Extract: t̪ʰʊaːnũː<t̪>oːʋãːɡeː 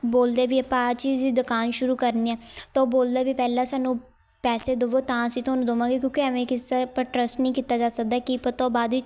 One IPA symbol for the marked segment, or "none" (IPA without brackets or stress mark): d̪